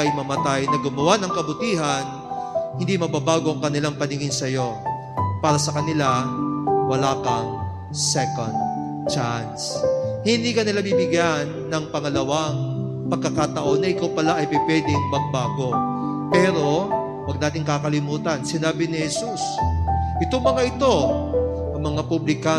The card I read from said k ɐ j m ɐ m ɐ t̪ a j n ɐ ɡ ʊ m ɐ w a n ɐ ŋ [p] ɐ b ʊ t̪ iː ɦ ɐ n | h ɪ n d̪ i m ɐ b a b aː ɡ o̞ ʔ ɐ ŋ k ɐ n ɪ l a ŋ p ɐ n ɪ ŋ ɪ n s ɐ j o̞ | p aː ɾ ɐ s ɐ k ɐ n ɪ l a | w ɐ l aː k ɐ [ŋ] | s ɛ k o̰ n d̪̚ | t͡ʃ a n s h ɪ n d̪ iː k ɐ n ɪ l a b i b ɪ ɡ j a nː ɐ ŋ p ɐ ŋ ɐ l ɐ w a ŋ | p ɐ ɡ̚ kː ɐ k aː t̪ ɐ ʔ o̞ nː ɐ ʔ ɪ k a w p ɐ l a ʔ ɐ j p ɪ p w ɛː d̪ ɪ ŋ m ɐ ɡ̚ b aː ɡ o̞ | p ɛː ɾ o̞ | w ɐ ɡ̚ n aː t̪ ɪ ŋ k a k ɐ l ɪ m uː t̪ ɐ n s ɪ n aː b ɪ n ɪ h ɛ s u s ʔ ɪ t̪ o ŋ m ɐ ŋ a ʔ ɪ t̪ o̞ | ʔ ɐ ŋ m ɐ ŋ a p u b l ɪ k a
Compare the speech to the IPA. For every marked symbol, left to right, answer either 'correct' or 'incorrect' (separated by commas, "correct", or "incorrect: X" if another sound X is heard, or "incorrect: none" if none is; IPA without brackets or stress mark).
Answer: incorrect: k, correct